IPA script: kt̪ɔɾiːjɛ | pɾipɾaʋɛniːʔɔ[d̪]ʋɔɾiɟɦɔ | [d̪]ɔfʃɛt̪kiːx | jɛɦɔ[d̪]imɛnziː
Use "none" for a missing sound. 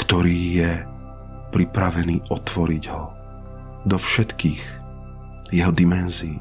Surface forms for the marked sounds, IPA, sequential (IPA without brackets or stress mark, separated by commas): t̪, d̪, d̪